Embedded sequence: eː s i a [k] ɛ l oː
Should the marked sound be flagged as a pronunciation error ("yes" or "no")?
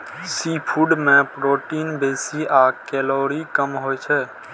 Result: no